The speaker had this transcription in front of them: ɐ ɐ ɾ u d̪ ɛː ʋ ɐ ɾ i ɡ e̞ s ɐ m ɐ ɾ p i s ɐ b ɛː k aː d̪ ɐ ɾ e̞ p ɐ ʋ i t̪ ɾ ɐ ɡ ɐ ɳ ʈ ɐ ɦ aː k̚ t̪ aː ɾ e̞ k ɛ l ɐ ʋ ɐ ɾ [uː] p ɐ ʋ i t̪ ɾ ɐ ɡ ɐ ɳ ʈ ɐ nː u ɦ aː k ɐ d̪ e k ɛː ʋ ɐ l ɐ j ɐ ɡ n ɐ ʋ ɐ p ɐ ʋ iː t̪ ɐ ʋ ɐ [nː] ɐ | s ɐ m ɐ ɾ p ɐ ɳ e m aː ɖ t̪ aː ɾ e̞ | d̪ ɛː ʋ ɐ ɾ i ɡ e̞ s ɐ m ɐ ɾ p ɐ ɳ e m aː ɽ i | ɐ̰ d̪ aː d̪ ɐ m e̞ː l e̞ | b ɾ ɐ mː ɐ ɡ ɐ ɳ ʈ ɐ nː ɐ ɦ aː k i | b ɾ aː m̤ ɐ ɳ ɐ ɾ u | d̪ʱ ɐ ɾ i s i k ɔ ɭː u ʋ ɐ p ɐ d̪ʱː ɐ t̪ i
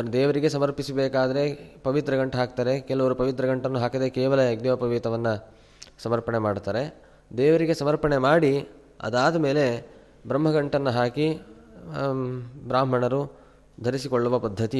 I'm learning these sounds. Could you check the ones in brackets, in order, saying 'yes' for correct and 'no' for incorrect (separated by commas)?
no, yes